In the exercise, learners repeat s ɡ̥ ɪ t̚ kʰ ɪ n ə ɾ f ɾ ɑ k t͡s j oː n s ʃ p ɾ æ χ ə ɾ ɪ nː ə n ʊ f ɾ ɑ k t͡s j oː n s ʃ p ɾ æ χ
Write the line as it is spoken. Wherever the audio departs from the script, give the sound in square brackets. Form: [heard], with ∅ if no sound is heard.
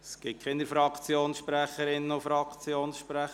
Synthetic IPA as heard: s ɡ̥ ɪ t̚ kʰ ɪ n ə ɾ f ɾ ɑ k t͡s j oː n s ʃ p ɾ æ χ ə ɾ ɪ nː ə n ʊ f ɾ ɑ k t͡s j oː n s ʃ p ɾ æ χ